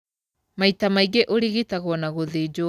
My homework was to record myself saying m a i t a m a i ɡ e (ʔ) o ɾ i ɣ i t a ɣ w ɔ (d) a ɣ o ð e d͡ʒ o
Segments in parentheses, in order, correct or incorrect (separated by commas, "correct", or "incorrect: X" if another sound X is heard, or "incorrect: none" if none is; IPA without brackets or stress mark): correct, incorrect: n